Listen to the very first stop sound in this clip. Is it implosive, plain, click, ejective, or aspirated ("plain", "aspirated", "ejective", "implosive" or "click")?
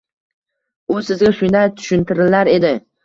plain